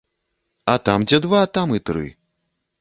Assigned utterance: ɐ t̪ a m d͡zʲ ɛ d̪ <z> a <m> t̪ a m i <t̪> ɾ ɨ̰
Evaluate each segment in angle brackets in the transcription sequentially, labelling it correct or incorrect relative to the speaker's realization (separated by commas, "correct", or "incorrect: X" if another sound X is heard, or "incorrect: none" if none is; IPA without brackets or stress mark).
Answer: incorrect: v, incorrect: none, correct